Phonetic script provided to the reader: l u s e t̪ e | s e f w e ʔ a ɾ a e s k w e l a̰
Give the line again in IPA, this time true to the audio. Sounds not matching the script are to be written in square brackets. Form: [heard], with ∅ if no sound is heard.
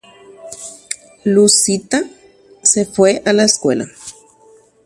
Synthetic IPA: l u s [i] t̪ [a] | s e f w e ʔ a [l] a e s k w e l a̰